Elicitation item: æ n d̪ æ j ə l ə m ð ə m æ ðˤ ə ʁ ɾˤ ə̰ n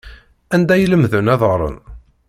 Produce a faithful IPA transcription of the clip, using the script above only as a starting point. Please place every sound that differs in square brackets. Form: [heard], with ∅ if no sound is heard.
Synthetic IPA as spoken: æ n d̪ æ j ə l ə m ð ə [n] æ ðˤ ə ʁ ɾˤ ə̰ n

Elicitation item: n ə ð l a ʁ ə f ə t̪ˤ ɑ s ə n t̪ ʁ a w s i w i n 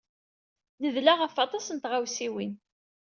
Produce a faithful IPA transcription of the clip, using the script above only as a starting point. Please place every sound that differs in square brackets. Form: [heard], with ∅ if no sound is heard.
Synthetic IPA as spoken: n ə ð l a ʁ ə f [ɑ] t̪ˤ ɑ s ə n t̪ ʁ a w s i w i n

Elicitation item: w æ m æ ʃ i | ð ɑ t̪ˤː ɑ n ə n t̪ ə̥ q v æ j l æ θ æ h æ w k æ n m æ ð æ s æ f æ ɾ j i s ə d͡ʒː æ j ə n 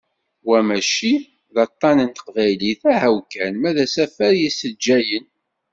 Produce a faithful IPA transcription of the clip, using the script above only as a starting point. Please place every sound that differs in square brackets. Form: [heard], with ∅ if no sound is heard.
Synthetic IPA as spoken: w æ m æ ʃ i | ð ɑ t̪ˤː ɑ n ə n t̪ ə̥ q v æ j l [i] θ æ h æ w k æ n m æ ð æ s æ f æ ɾ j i s ə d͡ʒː æ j ə n

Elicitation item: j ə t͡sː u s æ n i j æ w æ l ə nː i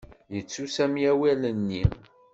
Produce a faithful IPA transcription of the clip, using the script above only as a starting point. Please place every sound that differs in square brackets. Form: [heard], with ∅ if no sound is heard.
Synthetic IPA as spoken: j ə t͡sː u s æ [m] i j æ w æ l ə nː i

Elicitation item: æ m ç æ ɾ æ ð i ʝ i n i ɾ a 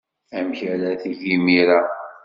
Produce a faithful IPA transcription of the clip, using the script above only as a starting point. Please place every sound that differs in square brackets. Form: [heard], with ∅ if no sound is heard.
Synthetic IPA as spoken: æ m ç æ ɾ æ [θ] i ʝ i [m] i ɾ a

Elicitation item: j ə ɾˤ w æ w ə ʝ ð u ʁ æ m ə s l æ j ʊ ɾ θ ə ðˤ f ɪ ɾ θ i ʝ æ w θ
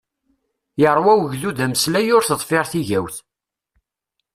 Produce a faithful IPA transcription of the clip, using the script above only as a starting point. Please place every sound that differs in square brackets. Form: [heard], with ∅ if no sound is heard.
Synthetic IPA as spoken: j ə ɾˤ w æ w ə ʝ ð u [ð] æ m ə s l æ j ʊ ɾ θ ə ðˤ f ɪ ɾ θ i ʝ æ w θ

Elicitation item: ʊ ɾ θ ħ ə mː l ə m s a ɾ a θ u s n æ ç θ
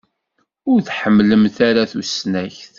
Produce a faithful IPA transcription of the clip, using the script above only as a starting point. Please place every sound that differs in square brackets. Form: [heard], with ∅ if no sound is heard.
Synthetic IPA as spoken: ʊ ɾ θ ħ ə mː l ə m [θ] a ɾ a θ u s n æ ç θ

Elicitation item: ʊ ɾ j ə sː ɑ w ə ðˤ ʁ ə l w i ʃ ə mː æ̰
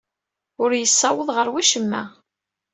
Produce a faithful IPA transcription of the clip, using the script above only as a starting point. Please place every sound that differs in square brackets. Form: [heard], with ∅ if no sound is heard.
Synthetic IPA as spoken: ʊ ɾ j ə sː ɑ w ə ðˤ ʁ ə [ɾ] w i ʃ ə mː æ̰

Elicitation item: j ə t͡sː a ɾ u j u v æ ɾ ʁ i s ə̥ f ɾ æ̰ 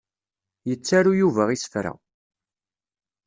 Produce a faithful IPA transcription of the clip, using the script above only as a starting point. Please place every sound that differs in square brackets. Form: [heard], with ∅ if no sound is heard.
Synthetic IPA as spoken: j ə t͡sː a ɾ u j u v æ [∅] ʁ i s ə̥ f ɾ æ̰

